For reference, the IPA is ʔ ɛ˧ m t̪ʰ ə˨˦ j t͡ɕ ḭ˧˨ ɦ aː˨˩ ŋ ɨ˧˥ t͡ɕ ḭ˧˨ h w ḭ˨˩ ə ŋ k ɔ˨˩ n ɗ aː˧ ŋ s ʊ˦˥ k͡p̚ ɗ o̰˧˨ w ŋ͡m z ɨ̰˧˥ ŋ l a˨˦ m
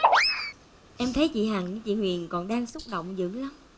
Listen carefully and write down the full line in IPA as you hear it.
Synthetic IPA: ʔ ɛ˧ m t̪ʰ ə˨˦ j t͡ɕ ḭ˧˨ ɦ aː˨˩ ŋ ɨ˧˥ t͡ɕ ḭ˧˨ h w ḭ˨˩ ə n k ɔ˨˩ n ɗ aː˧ ŋ s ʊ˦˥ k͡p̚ ɗ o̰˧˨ w ŋ͡m z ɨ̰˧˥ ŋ l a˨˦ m